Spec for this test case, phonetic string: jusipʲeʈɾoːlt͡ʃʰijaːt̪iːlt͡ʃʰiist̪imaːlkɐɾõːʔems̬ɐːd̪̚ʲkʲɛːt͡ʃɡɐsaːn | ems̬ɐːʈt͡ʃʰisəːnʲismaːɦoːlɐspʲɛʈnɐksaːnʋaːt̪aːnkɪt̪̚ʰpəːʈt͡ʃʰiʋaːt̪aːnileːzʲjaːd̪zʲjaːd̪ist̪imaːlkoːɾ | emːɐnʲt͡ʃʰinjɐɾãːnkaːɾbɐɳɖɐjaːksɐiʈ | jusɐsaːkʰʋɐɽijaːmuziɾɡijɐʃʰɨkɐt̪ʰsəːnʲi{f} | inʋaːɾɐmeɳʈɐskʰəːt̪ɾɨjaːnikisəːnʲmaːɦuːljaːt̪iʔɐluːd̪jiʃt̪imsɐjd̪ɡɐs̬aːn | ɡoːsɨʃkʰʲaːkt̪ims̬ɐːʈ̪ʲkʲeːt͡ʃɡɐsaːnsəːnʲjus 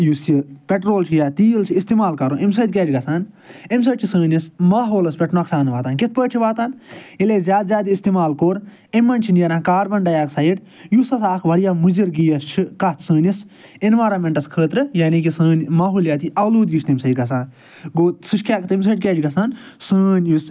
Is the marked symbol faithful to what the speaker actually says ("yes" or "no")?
no